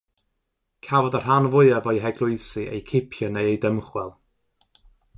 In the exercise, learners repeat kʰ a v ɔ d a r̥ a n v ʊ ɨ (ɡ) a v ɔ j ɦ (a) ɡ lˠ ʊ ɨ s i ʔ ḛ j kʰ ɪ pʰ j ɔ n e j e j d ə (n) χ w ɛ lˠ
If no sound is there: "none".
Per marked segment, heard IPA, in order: none, ɛ, m

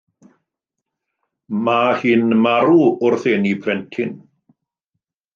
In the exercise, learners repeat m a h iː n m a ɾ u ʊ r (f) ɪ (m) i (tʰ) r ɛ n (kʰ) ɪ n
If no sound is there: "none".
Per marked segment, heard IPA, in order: θ, n, pʰ, tʰ

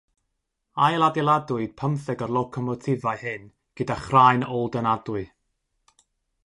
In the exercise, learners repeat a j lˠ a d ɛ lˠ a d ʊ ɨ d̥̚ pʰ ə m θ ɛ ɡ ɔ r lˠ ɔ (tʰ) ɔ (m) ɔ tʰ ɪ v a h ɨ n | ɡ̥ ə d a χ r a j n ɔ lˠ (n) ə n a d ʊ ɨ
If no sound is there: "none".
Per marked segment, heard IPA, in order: kʰ, m, d

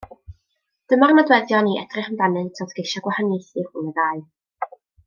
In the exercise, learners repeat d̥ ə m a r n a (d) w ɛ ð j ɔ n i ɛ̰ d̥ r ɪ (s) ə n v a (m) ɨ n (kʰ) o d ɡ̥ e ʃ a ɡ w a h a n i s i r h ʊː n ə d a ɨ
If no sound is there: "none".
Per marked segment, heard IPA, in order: d, χ, n, tʰ

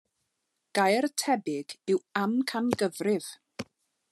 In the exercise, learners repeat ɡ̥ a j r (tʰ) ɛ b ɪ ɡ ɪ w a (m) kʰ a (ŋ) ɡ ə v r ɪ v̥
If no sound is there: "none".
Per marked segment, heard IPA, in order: tʰ, m, n

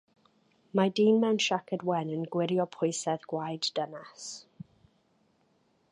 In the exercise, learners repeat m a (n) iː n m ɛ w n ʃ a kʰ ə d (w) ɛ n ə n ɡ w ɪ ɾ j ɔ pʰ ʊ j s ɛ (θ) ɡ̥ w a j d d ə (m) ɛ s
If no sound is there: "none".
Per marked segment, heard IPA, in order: d, w, ð, n

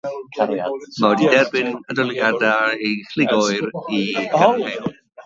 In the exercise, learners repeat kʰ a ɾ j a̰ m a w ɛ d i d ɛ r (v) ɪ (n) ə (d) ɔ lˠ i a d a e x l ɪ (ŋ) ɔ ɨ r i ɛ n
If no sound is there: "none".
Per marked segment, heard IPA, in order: b, n, d, ɡ

